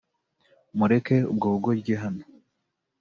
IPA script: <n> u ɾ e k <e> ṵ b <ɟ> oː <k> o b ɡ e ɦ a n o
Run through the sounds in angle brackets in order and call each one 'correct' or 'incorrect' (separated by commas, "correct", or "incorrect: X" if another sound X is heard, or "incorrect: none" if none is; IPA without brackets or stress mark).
incorrect: m, correct, incorrect: ɡ, incorrect: ɡ